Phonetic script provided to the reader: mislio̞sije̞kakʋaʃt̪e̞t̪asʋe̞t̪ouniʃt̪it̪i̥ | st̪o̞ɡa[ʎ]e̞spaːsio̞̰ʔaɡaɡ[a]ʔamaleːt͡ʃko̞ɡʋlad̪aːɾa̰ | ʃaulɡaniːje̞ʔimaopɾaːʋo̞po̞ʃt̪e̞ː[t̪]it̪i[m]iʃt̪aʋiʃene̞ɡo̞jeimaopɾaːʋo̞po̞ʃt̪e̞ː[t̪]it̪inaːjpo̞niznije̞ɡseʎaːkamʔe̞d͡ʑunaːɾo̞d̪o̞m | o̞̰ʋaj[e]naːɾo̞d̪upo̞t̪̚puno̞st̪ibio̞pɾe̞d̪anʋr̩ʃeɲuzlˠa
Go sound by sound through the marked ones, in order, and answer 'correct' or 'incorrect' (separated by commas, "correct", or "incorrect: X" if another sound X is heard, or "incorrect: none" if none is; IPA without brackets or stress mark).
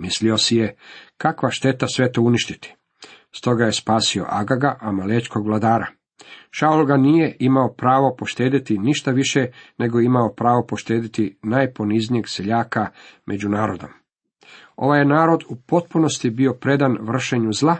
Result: incorrect: j, correct, incorrect: d̪, incorrect: n, incorrect: d̪, correct